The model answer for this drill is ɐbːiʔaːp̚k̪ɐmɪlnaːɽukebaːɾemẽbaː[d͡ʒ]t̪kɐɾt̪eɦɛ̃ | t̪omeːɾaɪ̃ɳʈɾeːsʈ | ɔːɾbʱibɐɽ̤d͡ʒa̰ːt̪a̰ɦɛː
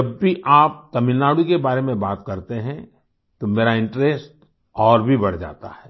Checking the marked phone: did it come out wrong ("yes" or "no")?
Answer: yes